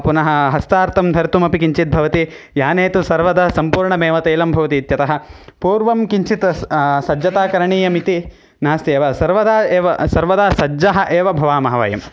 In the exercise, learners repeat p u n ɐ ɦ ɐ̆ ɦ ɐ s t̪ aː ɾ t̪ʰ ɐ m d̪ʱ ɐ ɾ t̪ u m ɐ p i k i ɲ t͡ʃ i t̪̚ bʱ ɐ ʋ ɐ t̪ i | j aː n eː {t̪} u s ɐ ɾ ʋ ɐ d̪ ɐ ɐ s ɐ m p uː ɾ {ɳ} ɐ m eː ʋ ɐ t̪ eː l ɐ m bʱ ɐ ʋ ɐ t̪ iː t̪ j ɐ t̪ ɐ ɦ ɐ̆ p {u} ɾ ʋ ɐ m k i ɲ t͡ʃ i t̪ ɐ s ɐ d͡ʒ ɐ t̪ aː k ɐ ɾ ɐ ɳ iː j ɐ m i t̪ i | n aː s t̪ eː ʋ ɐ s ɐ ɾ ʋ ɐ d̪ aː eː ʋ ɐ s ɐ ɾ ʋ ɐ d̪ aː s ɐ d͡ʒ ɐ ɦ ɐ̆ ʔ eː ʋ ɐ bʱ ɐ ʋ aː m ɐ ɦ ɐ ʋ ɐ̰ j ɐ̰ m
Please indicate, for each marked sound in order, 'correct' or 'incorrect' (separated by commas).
correct, correct, incorrect